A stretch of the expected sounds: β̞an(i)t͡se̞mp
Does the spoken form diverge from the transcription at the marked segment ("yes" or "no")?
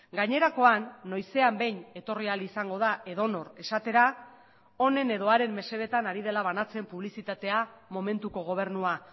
yes